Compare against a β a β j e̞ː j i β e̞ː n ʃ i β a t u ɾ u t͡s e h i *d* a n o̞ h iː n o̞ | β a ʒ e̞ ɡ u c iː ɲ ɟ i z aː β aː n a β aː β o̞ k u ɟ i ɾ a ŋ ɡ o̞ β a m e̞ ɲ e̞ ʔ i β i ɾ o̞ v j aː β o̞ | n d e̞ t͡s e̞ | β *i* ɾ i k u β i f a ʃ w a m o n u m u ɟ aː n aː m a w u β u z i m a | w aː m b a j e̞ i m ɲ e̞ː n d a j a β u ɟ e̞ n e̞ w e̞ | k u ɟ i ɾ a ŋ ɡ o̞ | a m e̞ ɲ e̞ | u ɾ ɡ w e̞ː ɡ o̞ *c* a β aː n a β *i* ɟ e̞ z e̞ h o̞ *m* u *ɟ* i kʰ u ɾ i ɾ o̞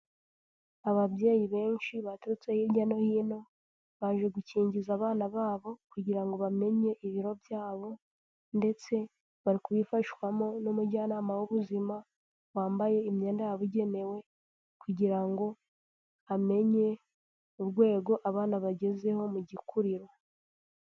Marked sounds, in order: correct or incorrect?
incorrect, incorrect, incorrect, incorrect, correct, correct

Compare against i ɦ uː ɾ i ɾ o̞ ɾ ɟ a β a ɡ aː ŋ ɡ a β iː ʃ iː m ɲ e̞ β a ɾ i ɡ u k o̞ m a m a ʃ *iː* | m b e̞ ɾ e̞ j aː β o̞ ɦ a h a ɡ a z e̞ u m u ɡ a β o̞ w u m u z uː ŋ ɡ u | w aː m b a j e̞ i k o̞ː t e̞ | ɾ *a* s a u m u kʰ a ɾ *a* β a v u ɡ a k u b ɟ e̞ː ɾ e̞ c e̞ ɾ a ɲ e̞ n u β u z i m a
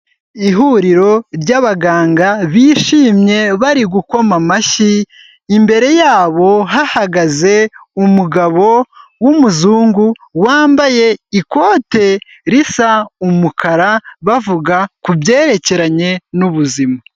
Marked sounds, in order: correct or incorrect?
correct, incorrect, correct

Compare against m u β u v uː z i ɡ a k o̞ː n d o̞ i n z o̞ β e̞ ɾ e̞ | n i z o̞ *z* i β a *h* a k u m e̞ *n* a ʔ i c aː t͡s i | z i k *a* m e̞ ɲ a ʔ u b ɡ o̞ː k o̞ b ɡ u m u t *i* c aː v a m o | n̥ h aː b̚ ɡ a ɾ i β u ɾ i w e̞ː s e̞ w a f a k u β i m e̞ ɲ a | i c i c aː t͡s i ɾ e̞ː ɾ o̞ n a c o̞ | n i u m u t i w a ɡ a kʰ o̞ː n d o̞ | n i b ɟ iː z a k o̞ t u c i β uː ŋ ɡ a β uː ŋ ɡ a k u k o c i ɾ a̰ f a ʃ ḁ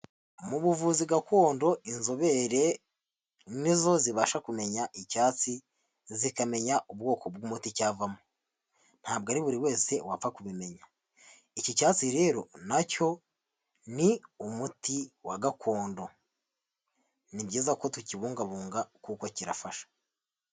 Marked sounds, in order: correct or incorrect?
correct, incorrect, incorrect, correct, correct

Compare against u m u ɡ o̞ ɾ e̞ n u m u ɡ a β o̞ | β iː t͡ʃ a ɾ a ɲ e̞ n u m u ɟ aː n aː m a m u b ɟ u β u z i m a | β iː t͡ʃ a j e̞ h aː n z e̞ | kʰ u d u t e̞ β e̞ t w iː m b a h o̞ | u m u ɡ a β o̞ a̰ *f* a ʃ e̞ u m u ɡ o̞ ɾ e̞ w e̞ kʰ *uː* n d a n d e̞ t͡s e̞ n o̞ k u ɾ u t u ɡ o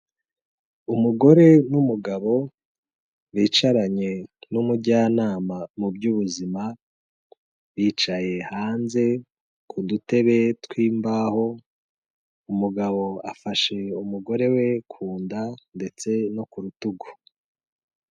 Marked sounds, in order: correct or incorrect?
correct, correct

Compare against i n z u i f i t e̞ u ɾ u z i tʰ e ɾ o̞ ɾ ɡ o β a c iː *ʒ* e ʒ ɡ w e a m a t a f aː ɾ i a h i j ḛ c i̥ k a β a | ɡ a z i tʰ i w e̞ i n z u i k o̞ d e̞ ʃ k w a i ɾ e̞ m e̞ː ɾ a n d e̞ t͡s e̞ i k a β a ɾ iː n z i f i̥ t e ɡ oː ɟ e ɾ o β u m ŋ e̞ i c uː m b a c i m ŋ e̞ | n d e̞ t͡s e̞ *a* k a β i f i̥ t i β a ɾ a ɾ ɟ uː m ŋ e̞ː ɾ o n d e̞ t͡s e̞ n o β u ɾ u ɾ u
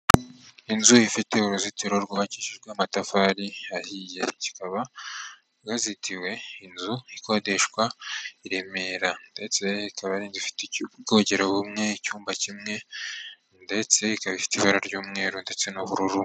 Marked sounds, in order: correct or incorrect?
incorrect, incorrect

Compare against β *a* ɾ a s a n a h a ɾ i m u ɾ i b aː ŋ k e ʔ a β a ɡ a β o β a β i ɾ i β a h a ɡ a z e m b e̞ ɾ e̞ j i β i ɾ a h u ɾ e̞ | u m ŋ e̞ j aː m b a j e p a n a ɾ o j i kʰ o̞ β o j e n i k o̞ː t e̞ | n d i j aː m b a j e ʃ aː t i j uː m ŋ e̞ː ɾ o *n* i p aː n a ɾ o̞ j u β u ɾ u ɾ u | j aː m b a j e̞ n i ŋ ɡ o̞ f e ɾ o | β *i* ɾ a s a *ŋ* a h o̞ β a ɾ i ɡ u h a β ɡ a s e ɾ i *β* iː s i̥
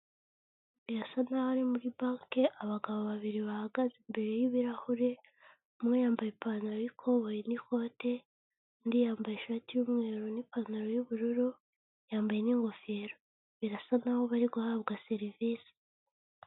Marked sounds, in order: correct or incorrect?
incorrect, correct, correct, incorrect, incorrect

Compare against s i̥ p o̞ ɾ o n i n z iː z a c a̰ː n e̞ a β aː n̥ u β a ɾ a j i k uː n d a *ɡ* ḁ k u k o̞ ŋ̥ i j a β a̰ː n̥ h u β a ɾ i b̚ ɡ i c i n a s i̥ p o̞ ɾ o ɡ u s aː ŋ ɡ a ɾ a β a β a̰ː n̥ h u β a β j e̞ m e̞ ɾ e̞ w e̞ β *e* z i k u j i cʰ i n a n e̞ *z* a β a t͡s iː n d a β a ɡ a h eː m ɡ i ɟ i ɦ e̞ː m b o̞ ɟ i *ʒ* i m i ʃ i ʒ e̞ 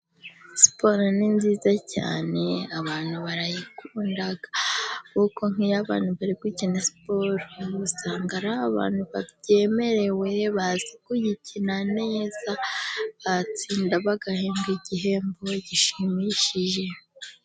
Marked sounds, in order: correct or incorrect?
correct, incorrect, correct, incorrect

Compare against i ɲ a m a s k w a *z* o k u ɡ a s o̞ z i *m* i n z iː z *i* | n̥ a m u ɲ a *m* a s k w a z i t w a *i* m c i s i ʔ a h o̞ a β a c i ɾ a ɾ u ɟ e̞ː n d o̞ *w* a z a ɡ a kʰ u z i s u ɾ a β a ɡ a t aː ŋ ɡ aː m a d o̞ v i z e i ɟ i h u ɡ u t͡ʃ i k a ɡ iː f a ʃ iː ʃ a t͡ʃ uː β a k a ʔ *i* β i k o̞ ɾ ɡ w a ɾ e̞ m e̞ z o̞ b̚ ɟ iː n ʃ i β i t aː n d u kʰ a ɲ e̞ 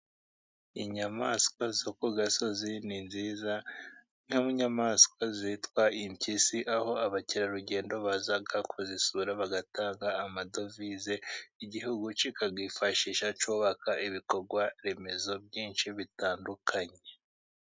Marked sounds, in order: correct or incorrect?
correct, incorrect, incorrect, correct, correct, incorrect, correct

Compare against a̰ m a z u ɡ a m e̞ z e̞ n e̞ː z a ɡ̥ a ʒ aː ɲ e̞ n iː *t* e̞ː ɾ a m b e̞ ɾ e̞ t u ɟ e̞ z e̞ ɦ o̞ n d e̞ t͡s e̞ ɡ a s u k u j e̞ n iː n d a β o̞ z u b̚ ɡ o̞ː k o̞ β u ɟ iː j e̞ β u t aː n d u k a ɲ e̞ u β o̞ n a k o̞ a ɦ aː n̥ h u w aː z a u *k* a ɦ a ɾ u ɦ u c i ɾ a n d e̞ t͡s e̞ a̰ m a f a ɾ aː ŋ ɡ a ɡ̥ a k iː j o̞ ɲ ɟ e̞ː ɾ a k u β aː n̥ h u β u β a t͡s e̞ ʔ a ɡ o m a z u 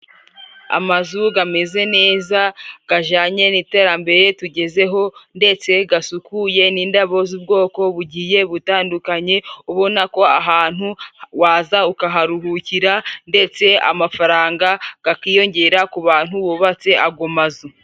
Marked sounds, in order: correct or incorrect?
correct, correct

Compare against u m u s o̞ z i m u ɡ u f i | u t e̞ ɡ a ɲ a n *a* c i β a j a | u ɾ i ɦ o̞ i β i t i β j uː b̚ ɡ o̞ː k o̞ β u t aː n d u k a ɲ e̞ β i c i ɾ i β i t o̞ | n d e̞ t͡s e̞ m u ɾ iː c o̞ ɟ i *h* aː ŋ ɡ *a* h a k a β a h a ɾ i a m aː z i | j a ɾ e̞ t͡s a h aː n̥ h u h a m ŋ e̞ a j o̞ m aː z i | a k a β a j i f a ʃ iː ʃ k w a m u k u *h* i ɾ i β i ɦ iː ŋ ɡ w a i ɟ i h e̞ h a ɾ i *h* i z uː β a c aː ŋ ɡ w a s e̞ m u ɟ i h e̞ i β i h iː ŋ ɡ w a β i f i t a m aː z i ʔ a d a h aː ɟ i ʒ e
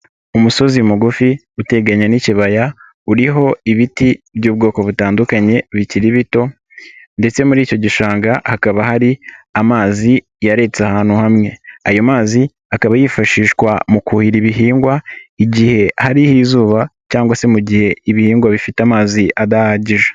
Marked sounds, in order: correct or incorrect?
incorrect, incorrect, correct, correct, correct

